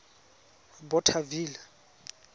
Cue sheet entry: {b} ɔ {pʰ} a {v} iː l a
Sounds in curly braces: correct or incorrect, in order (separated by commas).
correct, incorrect, correct